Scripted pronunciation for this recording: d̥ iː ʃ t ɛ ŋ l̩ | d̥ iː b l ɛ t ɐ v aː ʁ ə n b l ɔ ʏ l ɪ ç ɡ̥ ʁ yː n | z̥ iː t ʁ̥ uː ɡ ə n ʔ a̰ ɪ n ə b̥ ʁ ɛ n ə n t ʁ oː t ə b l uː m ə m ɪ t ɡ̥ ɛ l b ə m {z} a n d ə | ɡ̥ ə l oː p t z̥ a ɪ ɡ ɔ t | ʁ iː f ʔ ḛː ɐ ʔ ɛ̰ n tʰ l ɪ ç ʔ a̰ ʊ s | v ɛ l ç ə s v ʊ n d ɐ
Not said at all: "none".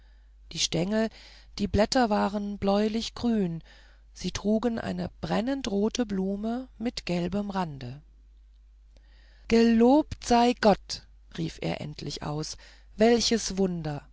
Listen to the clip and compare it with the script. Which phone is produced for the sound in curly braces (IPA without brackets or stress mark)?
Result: ʁ